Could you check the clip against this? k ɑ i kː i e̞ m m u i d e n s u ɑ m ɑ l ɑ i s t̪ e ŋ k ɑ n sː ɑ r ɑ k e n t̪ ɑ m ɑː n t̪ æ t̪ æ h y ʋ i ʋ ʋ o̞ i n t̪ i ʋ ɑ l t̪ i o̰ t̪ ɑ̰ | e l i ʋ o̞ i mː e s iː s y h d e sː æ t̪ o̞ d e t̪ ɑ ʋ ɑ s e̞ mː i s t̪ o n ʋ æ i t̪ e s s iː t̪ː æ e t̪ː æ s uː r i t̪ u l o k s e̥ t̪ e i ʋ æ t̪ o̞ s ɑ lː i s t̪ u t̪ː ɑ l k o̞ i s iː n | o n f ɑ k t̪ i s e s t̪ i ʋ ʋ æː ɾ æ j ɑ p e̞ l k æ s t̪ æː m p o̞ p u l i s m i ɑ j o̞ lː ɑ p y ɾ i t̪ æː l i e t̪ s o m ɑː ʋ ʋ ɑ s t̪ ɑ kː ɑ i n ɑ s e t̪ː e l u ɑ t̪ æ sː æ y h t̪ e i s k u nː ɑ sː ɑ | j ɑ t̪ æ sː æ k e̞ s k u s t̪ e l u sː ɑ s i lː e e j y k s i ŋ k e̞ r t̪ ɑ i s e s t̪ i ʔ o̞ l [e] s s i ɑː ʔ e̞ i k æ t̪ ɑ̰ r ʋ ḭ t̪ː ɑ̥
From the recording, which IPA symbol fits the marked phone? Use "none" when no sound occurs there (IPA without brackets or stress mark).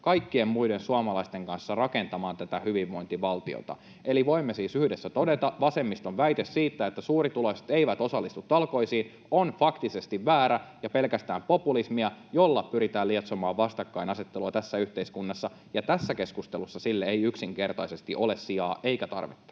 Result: e